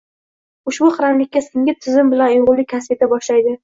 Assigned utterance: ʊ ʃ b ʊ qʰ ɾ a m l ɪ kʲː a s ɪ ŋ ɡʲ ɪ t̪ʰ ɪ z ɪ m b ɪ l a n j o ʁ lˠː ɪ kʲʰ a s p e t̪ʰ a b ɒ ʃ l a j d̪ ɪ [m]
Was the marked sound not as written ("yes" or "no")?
yes